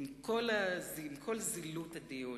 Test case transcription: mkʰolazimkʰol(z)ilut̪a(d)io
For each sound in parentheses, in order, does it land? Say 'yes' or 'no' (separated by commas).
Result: yes, yes